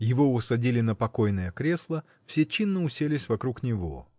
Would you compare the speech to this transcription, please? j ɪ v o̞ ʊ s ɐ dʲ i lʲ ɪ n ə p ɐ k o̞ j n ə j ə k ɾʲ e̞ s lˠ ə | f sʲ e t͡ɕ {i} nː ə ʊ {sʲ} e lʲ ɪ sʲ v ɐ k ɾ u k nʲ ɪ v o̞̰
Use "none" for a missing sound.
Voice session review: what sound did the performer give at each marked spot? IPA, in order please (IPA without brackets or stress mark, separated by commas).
i, sʲ